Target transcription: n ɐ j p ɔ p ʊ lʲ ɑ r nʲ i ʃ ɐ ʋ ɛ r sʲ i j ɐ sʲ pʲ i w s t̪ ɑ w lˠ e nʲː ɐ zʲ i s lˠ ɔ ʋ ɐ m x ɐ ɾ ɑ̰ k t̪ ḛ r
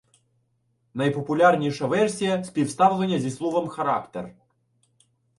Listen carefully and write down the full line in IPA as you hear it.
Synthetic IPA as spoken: n ɐ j p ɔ p ʊ lʲ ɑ r nʲ i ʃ ɐ ʋ ɛ r sʲ i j ɐ sʲ pʲ i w s t̪ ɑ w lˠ e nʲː ɐ zʲ i s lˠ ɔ ʋ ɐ m x ɐ ɾ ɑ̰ k t̪ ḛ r